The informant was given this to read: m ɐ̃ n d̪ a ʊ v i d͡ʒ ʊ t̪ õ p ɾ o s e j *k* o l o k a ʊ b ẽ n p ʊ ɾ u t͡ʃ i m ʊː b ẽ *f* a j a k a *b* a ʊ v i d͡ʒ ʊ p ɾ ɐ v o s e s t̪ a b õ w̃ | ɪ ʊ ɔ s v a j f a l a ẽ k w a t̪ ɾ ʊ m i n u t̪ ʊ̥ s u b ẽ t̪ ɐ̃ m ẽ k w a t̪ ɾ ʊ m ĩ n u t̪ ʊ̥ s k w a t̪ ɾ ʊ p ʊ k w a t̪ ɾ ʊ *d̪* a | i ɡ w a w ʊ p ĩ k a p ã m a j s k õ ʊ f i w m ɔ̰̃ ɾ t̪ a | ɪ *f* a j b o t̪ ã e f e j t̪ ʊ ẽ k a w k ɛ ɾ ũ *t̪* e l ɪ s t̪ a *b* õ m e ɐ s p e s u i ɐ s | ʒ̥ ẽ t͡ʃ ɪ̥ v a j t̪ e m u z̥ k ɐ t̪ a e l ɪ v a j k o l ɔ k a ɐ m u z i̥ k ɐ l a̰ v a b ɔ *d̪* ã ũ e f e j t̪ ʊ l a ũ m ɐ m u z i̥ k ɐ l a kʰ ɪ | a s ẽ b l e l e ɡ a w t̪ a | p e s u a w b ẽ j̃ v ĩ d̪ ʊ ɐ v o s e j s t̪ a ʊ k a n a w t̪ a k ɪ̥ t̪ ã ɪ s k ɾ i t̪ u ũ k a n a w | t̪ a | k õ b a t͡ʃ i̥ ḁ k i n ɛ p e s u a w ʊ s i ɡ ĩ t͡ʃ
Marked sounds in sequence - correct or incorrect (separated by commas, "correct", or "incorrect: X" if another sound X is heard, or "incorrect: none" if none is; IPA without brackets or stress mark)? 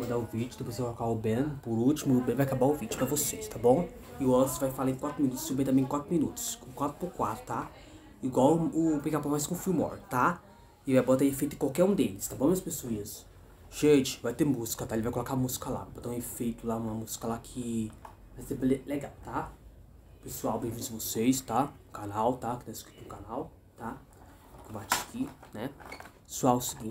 correct, incorrect: v, correct, incorrect: t̪, incorrect: v, incorrect: d̪, correct, incorrect: t̪